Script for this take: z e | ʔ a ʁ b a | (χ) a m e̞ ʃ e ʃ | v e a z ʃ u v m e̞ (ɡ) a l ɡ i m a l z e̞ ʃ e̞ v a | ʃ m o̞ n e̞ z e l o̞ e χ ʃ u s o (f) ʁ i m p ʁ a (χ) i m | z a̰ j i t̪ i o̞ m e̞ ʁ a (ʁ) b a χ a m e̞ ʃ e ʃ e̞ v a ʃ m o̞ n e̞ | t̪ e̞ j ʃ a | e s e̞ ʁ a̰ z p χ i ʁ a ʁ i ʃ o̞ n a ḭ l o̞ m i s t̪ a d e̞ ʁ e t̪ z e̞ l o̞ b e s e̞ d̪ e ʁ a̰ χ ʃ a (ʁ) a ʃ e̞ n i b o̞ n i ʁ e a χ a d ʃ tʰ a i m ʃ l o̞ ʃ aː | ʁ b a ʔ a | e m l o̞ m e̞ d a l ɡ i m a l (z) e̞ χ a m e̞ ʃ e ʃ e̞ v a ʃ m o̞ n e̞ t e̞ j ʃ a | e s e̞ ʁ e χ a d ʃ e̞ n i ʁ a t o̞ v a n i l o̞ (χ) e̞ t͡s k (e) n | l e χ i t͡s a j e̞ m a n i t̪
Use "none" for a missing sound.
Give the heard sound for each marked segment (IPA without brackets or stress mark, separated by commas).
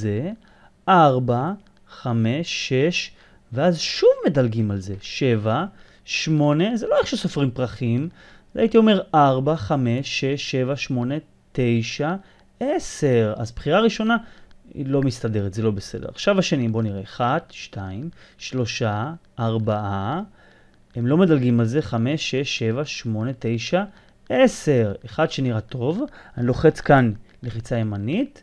χ, d, f, χ, ʁ, v, z, χ, a